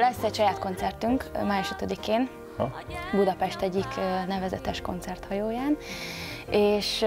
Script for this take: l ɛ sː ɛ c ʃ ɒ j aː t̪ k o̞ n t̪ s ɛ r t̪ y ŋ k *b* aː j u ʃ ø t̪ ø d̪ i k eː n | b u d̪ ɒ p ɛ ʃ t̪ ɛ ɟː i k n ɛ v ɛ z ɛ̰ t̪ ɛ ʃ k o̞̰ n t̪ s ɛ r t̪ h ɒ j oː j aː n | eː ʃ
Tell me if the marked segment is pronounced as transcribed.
no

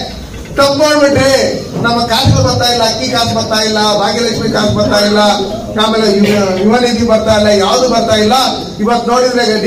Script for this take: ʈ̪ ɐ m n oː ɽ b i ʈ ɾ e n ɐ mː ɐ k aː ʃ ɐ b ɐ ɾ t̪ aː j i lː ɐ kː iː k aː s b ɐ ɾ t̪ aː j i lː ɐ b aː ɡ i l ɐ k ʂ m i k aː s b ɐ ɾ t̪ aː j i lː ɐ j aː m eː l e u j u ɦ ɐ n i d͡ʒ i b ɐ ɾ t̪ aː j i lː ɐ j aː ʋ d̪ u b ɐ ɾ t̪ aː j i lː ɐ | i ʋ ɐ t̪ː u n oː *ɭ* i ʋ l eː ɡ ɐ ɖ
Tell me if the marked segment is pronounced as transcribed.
no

